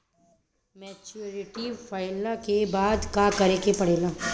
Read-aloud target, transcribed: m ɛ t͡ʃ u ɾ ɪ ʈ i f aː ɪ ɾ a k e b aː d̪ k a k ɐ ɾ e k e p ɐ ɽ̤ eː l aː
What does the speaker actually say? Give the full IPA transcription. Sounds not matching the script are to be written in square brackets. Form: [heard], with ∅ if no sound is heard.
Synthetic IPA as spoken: m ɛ t͡ʃ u ɾ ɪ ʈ i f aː ɪ [l] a k e b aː d̪ k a k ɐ ɾ e k e p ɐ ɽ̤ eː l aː